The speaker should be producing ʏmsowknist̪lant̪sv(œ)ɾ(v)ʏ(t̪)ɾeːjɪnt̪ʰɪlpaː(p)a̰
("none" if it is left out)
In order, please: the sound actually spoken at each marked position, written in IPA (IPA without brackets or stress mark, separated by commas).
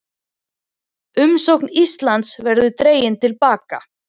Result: ɛ, ð, t̪, k